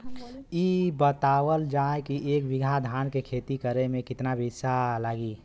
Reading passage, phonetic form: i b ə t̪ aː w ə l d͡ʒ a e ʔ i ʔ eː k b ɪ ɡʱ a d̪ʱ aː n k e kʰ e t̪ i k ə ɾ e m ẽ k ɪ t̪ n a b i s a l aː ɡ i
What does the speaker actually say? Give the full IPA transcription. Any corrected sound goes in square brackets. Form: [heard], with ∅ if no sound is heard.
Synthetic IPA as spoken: i b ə t̪ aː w ə l d͡ʒ a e [k] i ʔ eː k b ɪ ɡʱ a d̪ʱ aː n k e kʰ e t̪ i k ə ɾ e m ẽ k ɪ t̪ n a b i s a l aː ɡ i